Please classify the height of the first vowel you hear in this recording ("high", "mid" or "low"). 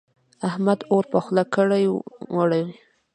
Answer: low